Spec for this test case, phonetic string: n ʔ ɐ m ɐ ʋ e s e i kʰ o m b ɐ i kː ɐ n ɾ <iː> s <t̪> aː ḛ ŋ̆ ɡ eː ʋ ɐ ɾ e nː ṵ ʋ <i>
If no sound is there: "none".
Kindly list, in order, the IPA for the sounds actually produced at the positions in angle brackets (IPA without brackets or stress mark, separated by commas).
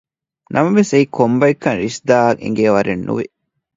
i, d̪, i